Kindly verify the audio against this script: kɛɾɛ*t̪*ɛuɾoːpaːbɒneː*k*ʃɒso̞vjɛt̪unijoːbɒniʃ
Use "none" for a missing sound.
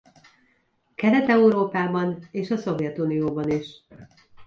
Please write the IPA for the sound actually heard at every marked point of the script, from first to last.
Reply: t̪, none

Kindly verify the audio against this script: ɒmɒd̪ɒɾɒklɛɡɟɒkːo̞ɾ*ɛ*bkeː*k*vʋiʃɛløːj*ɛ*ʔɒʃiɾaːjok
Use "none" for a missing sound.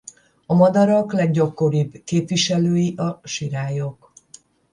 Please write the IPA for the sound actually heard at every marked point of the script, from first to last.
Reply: i, p, i

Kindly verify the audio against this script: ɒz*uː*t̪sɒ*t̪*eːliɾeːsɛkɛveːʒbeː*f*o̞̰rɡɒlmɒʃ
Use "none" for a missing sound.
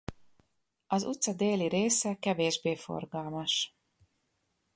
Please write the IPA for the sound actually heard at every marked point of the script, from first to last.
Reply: u, d̪, f

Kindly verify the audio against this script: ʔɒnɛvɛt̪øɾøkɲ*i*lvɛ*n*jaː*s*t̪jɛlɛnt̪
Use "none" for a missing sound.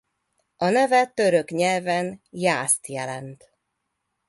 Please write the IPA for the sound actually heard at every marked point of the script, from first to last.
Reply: ɛ, n, s

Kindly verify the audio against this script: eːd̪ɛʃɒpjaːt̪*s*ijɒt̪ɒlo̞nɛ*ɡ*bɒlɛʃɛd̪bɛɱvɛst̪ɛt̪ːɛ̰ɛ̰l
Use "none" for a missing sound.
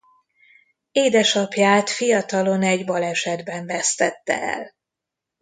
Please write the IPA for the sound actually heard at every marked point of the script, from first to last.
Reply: f, ɟ

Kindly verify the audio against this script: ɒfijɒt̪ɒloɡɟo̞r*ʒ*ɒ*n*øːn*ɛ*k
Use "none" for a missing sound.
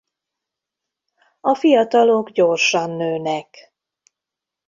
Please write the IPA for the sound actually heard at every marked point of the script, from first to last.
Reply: ʃ, nː, ɛ

